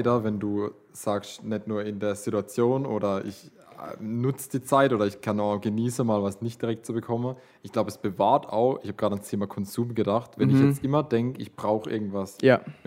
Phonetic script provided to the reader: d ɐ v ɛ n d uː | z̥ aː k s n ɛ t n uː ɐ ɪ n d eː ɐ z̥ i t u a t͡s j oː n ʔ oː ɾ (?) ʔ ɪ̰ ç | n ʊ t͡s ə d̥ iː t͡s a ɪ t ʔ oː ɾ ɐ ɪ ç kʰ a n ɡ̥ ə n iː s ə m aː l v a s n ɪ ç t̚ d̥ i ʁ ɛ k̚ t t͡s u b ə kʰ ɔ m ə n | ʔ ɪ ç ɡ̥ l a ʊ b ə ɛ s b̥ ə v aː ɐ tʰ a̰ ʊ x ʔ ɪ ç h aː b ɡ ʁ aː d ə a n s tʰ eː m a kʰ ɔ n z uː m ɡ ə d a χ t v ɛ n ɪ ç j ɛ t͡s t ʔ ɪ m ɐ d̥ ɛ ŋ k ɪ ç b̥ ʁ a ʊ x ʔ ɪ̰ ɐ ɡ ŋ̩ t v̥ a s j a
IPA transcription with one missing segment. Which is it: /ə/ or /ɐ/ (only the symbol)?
ɐ